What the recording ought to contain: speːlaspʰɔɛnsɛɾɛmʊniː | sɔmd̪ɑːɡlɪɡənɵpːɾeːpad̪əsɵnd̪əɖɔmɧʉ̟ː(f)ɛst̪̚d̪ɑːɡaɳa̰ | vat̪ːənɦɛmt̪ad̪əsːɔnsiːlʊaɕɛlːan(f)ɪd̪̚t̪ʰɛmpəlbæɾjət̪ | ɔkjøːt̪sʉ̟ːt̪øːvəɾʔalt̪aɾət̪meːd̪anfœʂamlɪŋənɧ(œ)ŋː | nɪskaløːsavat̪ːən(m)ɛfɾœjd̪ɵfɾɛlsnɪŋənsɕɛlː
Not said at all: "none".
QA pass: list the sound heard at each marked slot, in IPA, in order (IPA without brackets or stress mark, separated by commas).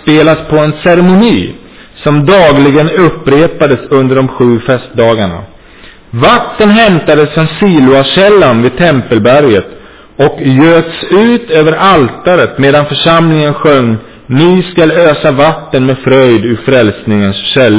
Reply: f, v, œ, m